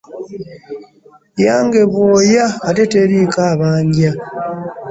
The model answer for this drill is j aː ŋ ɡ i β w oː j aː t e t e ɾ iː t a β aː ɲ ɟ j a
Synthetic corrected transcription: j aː ŋ ɡ e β w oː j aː t e t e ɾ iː k a β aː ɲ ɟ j a